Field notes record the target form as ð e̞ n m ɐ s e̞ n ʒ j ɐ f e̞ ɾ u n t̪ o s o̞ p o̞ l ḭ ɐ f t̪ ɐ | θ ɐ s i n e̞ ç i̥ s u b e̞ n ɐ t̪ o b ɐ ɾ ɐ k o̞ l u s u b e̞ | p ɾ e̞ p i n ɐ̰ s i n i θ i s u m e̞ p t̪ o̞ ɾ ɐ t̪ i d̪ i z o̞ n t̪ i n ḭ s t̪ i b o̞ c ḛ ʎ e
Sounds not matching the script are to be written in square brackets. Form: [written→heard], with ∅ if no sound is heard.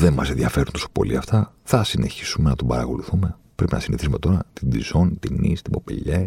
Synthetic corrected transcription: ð e̞ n m ɐ s e̞ n [ʒ→ð] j ɐ f e̞ ɾ u n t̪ o s o̞ p o̞ l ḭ ɐ f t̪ ɐ | θ ɐ s i n e̞ ç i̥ s u [b→m] e̞ n ɐ t̪ o b ɐ ɾ ɐ k o̞ l u [s→θ] u [b→m] e̞ | p ɾ e̞ p i n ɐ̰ s i n i θ i s u m e̞ [p→∅] t̪ o̞ ɾ ɐ t̪ i d̪ i z o̞ n t̪ i n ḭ s t̪ i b o̞ [c→p] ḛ ʎ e